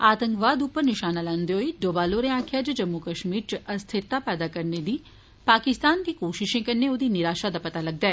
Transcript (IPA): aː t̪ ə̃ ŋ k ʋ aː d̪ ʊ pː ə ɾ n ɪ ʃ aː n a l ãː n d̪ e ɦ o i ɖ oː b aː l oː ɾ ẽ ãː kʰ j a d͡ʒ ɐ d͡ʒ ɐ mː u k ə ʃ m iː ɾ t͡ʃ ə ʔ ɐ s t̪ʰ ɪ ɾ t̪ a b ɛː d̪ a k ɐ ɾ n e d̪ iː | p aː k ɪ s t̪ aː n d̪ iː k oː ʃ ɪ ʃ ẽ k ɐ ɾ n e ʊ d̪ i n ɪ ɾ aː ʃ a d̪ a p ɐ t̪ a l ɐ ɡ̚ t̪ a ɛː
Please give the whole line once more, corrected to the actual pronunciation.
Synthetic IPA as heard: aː t̪ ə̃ ŋ k ʋ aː d̪ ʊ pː ə ɾ n ɪ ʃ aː n a l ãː n d̪ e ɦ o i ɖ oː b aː l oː ɾ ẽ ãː kʰ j a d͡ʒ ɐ d͡ʒ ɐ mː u k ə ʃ m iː ɾ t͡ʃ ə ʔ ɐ s t̪ʰ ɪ ɾ t̪ a p ɛː d̪ a k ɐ ɾ n e d̪ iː | p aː k ɪ s t̪ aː n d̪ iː k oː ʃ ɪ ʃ ẽ k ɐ ɾ n e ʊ d̪ i n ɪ ɾ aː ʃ a d̪ a p ɐ t̪ a l ɐ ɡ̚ d̪ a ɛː